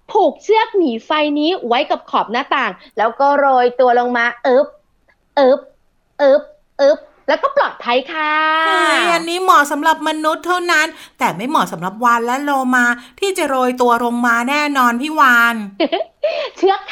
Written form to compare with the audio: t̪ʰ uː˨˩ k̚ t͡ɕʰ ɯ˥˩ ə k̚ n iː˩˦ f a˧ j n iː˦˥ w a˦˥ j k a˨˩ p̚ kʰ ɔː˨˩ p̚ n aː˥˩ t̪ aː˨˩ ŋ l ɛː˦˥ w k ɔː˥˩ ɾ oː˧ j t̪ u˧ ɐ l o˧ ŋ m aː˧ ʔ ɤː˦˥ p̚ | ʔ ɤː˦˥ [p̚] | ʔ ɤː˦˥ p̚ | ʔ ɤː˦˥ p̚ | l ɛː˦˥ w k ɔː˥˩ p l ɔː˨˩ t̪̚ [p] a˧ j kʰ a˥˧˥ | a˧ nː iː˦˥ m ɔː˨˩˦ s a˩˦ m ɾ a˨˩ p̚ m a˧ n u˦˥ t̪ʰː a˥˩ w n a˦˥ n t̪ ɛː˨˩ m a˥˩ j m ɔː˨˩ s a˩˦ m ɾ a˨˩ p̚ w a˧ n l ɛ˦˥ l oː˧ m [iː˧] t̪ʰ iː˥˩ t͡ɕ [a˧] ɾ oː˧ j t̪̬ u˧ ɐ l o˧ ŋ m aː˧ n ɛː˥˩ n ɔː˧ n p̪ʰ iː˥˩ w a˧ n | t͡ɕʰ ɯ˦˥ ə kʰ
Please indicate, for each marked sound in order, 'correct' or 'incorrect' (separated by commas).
correct, incorrect, incorrect, incorrect